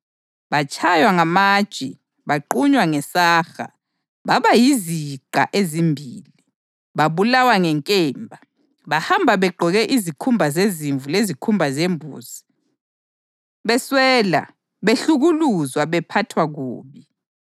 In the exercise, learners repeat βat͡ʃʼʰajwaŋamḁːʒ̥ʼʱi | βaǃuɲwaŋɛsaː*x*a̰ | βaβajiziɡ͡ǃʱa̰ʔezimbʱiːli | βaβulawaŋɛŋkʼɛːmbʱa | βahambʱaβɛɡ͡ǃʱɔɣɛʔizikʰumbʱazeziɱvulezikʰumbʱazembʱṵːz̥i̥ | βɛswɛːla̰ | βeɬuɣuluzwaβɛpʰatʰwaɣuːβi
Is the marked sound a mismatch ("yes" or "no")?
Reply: no